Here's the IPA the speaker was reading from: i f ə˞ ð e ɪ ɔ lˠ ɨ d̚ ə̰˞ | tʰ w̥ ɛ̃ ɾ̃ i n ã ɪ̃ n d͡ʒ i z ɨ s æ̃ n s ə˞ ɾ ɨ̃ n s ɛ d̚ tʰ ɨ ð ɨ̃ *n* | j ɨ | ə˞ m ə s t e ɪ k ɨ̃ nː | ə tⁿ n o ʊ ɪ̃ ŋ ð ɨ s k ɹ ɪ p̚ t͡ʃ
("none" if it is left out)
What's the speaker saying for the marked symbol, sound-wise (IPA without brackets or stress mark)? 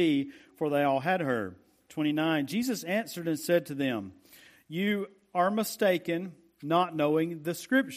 m